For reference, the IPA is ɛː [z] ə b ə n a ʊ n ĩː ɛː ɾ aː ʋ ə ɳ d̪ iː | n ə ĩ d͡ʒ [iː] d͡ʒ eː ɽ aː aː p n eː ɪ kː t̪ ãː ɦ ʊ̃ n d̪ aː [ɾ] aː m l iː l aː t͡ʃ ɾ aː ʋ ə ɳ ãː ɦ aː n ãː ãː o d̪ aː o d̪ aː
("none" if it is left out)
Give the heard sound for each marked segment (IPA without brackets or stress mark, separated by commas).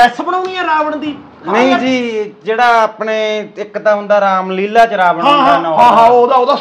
s, iː, ɾ